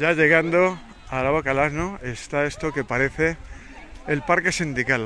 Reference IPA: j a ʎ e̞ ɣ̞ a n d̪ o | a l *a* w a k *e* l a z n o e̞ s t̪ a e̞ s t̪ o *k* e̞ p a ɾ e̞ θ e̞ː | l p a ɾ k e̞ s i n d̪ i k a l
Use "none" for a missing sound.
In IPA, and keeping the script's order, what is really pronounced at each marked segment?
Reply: a, a, k

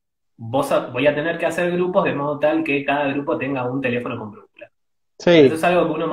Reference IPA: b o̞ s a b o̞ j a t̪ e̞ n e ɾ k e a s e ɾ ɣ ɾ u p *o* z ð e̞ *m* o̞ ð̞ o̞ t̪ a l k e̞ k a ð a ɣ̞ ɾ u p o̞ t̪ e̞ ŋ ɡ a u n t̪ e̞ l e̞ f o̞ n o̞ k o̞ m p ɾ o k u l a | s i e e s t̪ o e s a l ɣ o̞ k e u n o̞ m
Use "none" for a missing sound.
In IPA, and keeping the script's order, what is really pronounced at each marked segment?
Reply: o, m

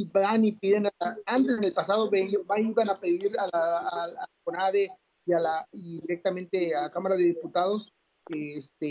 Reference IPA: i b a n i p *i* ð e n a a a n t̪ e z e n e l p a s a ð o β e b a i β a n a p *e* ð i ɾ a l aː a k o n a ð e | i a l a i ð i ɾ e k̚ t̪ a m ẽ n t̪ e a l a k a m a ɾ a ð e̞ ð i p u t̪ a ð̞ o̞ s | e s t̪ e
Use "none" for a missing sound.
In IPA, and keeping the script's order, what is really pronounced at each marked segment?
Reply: i, e

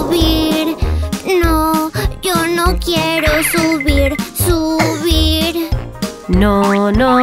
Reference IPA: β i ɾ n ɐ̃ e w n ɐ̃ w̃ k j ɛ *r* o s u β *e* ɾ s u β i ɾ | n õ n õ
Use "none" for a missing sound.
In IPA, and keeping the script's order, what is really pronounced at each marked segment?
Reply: ɾ, i

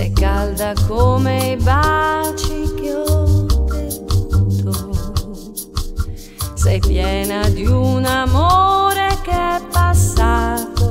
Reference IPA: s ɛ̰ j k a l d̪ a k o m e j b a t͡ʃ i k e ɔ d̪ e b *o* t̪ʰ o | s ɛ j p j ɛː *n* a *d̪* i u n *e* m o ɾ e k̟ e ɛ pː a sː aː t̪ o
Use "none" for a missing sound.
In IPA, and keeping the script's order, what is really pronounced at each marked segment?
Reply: u, n, d̪, a

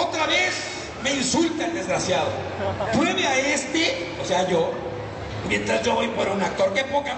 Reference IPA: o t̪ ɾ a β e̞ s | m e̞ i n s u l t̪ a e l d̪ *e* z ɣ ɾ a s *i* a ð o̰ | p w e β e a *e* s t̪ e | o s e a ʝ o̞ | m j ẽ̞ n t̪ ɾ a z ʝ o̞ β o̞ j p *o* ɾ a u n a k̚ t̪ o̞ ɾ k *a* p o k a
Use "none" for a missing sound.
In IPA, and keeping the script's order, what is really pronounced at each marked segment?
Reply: e, j, e, o, e

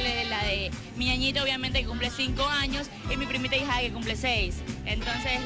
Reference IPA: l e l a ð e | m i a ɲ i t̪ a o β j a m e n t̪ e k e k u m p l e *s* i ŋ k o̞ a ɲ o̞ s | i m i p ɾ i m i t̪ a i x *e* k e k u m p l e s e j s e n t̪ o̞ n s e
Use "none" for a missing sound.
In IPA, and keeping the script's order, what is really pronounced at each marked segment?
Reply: s, a

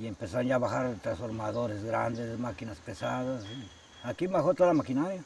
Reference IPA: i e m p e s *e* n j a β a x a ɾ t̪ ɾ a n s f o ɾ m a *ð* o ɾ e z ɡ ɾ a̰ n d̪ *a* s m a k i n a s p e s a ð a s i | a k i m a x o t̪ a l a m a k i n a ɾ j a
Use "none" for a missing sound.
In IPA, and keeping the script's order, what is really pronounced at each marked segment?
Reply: a, ð, e

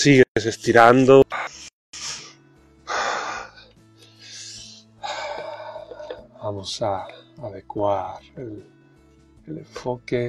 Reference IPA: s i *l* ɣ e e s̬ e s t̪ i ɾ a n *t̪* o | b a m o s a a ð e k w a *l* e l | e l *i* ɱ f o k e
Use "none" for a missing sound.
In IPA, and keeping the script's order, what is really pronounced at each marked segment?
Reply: none, d̪, ɾ, e

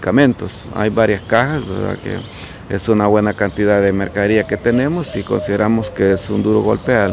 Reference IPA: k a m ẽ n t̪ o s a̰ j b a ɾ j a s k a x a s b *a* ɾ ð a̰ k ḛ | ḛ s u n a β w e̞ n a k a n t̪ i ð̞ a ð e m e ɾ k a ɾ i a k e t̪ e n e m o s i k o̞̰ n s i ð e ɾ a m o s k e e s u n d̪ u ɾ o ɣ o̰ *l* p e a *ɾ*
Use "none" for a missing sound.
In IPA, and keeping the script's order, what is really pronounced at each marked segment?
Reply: e, l, l

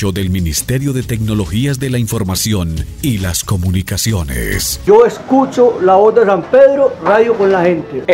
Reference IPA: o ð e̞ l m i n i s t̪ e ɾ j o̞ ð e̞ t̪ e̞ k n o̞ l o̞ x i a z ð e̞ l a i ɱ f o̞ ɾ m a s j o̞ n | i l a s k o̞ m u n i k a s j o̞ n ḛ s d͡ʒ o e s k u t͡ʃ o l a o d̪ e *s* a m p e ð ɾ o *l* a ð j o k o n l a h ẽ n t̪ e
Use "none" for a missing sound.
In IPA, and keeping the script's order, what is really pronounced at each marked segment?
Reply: s, r

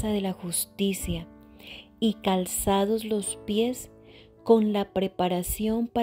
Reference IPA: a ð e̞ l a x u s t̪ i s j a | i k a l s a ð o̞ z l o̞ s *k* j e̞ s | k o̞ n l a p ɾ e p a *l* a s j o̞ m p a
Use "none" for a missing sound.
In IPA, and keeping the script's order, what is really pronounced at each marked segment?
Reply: p, ɾ

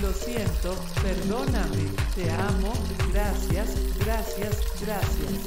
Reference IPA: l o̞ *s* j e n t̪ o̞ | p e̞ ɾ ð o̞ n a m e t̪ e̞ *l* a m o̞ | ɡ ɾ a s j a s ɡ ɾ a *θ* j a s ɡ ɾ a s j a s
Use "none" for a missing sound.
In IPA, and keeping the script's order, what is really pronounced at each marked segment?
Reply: s, none, s

